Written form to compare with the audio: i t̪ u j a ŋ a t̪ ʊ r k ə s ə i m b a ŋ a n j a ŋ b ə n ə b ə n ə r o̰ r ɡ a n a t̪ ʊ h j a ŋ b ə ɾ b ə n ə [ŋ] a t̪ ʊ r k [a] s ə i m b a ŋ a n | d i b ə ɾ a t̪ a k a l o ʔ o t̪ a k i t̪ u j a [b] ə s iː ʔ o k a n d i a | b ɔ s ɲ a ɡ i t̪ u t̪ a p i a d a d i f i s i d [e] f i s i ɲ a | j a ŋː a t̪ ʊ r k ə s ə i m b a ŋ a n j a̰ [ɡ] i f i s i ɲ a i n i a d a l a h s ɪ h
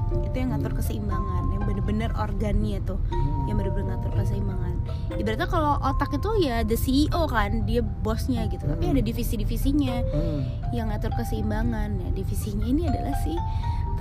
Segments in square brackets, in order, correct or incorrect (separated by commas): correct, incorrect, incorrect, incorrect, incorrect